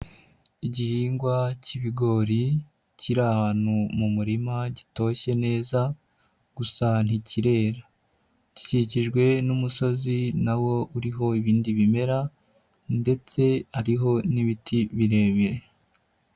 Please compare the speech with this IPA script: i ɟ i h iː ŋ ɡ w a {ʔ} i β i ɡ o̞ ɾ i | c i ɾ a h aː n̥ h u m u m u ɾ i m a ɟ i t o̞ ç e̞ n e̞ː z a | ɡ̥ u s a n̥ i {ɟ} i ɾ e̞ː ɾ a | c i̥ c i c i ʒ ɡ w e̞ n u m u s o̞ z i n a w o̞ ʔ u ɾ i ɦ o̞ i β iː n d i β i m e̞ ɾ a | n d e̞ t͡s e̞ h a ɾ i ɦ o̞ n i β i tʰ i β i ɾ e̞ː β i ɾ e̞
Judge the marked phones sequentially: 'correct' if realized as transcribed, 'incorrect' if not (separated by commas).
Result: incorrect, incorrect